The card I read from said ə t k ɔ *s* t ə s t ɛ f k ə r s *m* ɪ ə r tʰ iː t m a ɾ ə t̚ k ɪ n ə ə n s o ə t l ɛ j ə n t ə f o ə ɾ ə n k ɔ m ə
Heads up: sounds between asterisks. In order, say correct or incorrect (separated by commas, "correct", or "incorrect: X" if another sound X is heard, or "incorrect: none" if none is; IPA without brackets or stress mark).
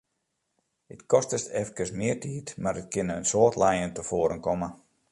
correct, correct